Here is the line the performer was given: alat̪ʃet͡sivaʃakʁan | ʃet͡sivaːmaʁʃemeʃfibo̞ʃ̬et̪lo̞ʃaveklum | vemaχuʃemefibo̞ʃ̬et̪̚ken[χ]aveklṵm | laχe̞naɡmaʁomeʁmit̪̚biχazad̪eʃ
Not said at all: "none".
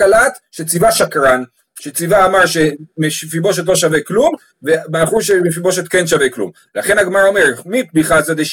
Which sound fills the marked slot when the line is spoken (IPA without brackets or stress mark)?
ʃ